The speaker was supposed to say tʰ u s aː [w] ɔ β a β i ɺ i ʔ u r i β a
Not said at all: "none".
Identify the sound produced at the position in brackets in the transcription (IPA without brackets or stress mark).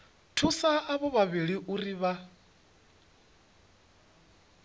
β